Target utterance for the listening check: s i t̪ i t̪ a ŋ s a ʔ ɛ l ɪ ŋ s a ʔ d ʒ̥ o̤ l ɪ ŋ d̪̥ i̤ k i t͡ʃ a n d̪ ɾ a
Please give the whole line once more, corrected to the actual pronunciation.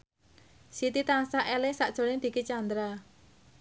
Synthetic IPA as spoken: s i t̪ i t̪ a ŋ s a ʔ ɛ l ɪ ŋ s a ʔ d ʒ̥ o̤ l ɪ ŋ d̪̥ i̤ k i t͡ʃ a n d̪ ɾ a